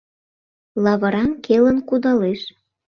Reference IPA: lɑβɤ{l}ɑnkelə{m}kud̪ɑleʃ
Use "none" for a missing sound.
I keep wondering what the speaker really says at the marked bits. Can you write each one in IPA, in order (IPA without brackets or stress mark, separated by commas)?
ɾ, n